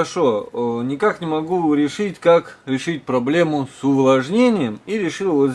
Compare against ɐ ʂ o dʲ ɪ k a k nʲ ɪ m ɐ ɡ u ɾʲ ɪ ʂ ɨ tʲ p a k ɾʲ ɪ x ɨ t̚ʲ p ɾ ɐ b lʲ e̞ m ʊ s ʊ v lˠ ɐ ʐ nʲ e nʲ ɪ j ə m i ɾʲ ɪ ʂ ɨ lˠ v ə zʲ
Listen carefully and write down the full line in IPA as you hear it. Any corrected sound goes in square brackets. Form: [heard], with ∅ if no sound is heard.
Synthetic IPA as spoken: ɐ ʂ o [nʲ] ɪ k a k nʲ ɪ m ɐ ɡ u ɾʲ ɪ ʂ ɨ tʲ [k] a k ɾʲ ɪ [ʂ] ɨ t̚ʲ p ɾ ɐ b lʲ e̞ m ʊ s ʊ v lˠ ɐ ʐ nʲ e nʲ ɪ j ə m i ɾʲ ɪ ʂ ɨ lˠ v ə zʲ